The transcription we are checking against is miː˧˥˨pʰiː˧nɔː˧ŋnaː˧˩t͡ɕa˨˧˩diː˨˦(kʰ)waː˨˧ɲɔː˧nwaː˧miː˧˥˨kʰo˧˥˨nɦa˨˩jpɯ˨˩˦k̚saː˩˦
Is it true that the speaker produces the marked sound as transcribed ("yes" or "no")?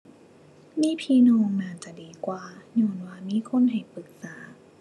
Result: no